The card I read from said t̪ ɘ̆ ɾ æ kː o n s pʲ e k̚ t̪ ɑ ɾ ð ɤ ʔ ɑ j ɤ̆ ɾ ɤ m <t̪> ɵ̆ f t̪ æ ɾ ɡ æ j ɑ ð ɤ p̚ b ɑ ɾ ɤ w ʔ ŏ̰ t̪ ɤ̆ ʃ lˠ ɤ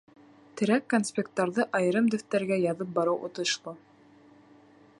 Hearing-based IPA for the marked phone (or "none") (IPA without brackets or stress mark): d̪